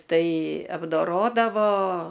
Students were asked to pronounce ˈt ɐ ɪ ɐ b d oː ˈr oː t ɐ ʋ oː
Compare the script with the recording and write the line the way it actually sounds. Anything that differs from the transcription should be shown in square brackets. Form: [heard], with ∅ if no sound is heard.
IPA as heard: ˈt ɐ ɪ ɐ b d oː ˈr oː [d] ɐ ʋ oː